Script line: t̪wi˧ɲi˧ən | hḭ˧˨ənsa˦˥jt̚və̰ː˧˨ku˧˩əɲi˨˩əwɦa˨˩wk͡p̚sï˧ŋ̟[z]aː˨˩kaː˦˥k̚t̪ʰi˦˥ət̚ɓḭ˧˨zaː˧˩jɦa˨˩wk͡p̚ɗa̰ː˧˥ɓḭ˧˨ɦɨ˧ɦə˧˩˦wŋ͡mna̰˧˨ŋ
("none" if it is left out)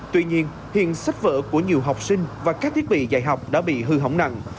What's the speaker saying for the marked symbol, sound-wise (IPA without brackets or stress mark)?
v